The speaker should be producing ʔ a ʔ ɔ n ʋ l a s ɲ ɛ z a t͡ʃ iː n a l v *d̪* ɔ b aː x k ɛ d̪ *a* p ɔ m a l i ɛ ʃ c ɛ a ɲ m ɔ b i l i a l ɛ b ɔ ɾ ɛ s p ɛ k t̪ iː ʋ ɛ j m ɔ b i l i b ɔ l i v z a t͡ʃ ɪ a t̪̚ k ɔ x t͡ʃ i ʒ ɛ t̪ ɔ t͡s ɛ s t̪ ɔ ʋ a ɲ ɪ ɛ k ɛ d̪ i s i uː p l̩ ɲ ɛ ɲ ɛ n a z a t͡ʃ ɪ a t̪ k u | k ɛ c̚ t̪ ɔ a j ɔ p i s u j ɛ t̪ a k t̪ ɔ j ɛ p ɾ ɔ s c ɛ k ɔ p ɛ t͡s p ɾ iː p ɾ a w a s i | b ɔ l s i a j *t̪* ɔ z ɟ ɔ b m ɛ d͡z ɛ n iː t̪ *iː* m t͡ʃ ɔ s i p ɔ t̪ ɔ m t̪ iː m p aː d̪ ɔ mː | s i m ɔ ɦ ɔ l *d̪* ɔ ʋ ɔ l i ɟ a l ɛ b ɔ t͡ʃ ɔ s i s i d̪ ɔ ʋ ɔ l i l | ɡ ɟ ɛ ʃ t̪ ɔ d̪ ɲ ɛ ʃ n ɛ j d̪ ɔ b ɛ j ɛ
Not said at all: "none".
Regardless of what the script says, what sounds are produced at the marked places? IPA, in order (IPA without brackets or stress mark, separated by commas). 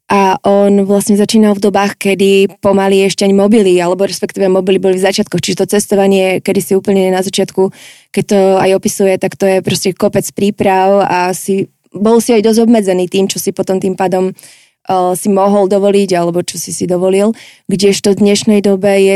d̪, i, d̪, iː, d̪